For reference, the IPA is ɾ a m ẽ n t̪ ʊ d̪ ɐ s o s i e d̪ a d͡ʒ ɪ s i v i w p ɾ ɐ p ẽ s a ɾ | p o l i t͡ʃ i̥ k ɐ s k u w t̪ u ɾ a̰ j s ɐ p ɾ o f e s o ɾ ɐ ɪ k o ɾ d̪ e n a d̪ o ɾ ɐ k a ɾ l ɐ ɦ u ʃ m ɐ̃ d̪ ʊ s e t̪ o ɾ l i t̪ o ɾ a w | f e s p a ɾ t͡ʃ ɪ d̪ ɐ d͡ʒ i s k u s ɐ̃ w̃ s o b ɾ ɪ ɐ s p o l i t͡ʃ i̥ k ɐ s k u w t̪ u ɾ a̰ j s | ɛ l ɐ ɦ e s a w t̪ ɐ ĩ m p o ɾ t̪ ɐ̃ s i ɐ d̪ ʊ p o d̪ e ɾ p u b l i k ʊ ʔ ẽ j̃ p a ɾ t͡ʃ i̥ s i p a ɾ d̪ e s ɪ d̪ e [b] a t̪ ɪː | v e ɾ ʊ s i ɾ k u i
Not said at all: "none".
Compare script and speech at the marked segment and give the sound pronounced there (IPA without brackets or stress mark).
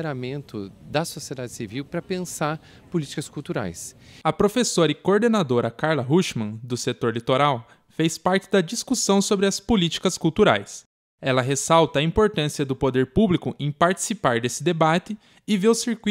b